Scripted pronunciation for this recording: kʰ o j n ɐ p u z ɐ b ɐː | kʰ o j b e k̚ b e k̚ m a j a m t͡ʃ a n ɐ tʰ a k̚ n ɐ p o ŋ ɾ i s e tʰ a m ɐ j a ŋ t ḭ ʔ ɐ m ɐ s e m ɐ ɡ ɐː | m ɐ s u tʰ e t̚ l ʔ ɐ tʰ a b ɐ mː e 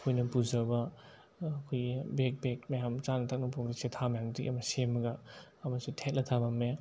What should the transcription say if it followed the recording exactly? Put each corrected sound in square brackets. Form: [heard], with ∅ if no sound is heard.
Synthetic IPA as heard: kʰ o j n ɐ p u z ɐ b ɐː | kʰ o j b e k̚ b e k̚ m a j a m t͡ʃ a n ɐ tʰ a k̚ n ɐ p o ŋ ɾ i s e tʰ a m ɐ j a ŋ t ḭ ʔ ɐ m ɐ s e m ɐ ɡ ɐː | m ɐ s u tʰ e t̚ l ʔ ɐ tʰ a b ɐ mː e